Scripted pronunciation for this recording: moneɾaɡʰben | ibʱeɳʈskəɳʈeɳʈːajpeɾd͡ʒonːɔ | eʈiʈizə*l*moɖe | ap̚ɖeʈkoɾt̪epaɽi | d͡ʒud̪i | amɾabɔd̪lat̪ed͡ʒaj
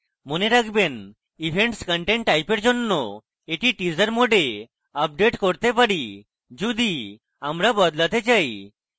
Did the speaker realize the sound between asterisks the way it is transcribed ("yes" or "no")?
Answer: no